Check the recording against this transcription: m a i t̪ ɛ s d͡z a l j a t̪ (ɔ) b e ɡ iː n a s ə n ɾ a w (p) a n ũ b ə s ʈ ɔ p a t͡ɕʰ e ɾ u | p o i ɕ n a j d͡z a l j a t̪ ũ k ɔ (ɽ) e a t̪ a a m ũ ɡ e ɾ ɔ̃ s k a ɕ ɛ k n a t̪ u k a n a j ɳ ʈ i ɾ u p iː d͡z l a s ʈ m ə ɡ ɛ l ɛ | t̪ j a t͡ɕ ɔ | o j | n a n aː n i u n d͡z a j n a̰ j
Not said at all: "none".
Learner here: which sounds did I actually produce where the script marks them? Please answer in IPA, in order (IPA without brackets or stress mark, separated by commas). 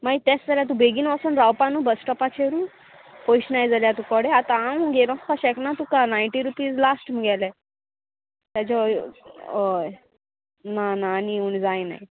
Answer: u, p, ɽ